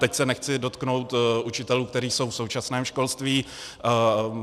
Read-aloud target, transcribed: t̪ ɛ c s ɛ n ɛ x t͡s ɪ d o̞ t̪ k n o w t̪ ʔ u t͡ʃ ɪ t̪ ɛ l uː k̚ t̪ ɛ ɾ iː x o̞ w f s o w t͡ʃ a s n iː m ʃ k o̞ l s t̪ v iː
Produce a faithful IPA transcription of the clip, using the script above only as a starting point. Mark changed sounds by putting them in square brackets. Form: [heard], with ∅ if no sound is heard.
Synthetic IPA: t̪ ɛ c s ɛ n ɛ x t͡s ɪ d o̞ t̪ k n o w t̪ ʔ u t͡ʃ ɪ t̪ ɛ l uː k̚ t̪ ɛ ɾ iː [s] o̞ w f s o w t͡ʃ a s n [ɛː] m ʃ k o̞ l s t̪ v iː

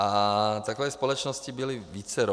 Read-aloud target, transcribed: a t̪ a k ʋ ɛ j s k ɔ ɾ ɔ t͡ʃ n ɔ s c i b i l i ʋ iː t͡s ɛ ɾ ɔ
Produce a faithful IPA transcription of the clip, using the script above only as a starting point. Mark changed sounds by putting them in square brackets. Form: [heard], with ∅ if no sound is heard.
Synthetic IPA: a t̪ a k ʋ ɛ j s [p] ɔ [l] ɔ t͡ʃ n ɔ s c i b i l i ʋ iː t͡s ɛ ɾ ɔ

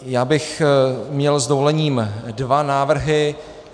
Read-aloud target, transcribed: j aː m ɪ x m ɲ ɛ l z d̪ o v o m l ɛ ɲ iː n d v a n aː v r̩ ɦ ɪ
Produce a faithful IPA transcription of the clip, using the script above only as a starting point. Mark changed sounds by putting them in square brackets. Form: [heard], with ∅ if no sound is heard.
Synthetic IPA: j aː [b] ɪ x m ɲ ɛ l z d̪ o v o [∅] l ɛ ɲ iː [m] d v a n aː v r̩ ɦ ɪ

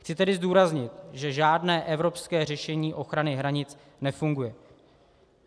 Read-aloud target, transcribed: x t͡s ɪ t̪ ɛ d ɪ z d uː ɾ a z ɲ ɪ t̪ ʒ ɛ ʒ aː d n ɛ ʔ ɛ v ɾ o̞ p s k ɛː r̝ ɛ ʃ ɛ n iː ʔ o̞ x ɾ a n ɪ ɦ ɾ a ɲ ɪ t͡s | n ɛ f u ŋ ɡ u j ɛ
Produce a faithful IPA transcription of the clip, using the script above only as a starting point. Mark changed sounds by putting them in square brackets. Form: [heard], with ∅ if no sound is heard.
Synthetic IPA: x t͡s ɪ t̪ ɛ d ɪ z d uː ɾ a z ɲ ɪ t̪ ʒ ɛ ʒ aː d n [ɛː] ʔ ɛ v ɾ o̞ p s k ɛː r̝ ɛ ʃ ɛ [ɲ] iː ʔ o̞ x ɾ a n ɪ ɦ ɾ a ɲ ɪ t͡s | n ɛ f u ŋ ɡ u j ɛ

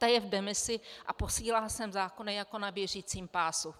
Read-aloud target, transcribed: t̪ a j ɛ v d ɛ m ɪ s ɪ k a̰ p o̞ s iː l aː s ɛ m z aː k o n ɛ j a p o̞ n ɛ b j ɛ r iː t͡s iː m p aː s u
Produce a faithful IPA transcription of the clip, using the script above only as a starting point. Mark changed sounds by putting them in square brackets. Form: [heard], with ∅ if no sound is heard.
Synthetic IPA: t̪ a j ɛ v d ɛ m ɪ s ɪ [ʔ] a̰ p o̞ s iː l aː s ɛ m z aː k o n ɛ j a [k] o̞ n [a] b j ɛ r iː t͡s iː m p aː s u

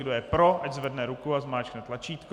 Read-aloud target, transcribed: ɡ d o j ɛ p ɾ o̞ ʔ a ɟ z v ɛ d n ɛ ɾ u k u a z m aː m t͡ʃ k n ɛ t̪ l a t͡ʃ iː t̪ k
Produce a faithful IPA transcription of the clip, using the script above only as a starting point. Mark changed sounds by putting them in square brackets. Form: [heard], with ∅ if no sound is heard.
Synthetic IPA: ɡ d o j ɛ p ɾ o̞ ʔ a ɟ z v ɛ d n ɛ ɾ u k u a z m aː [∅] t͡ʃ k n ɛ t̪ l a t͡ʃ iː t̪ k

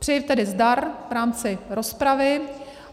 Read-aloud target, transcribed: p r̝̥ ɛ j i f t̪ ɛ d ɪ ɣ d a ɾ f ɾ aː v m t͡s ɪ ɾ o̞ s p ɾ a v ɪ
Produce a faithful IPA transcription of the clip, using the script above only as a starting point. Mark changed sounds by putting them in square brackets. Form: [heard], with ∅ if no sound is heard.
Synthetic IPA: p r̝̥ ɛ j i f t̪ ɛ d ɪ [z] d a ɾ [v] ɾ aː [∅] m t͡s ɪ ɾ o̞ s p ɾ a v ɪ

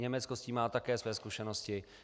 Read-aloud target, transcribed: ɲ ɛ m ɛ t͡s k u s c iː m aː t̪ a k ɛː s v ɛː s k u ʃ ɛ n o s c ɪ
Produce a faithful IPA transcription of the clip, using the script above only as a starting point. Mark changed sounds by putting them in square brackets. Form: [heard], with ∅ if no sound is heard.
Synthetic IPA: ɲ ɛ m ɛ t͡s k [o] s c iː m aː t̪ a k ɛː s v ɛː s k u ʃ ɛ n o s c ɪ

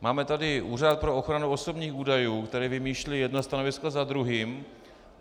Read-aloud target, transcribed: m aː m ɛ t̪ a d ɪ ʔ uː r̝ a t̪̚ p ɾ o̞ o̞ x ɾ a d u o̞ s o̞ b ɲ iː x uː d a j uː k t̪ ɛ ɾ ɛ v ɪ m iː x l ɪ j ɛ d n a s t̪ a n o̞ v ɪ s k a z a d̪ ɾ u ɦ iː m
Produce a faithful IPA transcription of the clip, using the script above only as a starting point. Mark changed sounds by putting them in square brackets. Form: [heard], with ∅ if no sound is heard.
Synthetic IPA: m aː m ɛ t̪ a d ɪ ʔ uː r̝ a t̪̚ p ɾ o̞ o̞ x ɾ a [n] u o̞ s o̞ b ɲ iː x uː d a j uː k t̪ ɛ ɾ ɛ v ɪ m iː [ʃ] l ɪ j ɛ d n a s t̪ a n o̞ v ɪ s k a z a d̪ ɾ u ɦ iː m

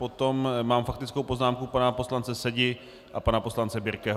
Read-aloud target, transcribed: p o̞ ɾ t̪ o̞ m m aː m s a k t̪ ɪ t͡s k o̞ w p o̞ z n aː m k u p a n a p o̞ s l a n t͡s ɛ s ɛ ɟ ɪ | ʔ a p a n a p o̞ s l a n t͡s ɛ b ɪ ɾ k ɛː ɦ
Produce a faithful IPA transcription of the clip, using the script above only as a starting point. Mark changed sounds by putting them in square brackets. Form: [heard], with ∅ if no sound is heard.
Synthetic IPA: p o̞ [∅] t̪ o̞ m m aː m [f] a k t̪ ɪ t͡s k o̞ w p o̞ z n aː m k u p a n a p o̞ s l a n t͡s ɛ s ɛ ɟ ɪ | ʔ a p a n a p o̞ s l a n t͡s ɛ b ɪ ɾ k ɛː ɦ

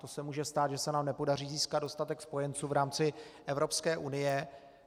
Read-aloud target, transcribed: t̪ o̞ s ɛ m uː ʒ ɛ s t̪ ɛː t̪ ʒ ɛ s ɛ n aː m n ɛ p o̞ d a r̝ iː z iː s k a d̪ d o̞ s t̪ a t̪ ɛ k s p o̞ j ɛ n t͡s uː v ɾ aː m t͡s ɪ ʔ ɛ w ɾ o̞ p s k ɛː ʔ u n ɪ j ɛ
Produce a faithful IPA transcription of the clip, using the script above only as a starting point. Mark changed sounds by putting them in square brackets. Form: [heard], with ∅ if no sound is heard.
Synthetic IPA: t̪ o̞ s ɛ m uː ʒ ɛ s t̪ [aː] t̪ ʒ ɛ s ɛ n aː m n ɛ p o̞ d a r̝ iː z iː s k a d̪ d o̞ s t̪ a t̪ ɛ k s p o̞ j ɛ n t͡s uː v ɾ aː m t͡s ɪ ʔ ɛ [v] ɾ o̞ p s k ɛː ʔ u n ɪ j ɛ

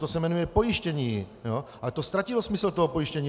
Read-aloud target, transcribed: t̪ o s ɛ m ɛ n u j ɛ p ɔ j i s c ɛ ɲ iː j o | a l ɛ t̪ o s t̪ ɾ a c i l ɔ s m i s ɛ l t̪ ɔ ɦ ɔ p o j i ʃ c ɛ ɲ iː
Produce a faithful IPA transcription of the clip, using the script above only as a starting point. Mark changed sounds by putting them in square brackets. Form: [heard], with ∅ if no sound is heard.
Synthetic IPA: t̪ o s ɛ m ɛ n u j ɛ p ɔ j i [ʃ] c ɛ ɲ iː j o | a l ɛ t̪ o s t̪ ɾ a c i l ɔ s m i s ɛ l t̪ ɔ ɦ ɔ p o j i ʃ c ɛ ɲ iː

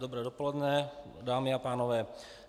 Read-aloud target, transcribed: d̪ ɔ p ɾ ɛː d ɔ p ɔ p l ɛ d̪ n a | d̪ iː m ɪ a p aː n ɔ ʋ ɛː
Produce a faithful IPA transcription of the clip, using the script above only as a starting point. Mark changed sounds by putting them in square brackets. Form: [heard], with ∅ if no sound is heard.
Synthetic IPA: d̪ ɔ [b] ɾ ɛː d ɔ p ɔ [∅] l ɛ d̪ n [ɛ] | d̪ [aː] m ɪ a p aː n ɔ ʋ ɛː

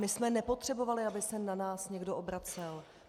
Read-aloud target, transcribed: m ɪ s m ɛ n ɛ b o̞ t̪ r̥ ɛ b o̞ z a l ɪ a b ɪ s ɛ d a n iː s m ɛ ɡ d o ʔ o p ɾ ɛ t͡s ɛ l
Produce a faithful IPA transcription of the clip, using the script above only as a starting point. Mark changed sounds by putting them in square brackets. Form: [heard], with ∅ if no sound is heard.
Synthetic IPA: m ɪ s m ɛ n ɛ [p] o̞ t̪ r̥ ɛ b o̞ [v] a l ɪ a b ɪ s ɛ [n] a n [aː] s [ɲ] ɛ ɡ d o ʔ o [b] ɾ [a] t͡s ɛ l

